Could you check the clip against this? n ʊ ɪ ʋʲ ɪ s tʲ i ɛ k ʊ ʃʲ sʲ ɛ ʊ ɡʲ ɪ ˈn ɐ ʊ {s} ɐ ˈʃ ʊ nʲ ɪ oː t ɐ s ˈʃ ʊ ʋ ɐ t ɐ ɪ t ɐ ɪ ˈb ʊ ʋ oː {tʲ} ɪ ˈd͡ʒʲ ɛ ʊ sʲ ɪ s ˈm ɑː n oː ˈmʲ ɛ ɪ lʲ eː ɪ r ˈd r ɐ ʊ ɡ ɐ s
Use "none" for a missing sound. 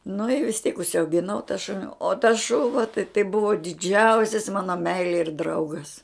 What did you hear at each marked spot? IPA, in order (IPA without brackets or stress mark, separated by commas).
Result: t, dʲ